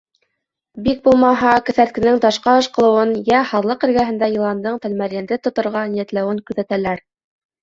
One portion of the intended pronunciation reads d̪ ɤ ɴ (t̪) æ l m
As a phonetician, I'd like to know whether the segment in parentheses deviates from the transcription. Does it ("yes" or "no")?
no